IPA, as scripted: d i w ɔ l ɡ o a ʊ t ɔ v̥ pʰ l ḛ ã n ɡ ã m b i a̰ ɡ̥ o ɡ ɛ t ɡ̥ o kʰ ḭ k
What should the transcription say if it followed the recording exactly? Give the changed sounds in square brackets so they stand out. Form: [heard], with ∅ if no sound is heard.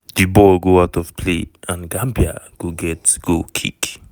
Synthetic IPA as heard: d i [b] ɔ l ɡ o a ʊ t ɔ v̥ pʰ l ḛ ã n ɡ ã m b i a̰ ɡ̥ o ɡ ɛ t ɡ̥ o kʰ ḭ k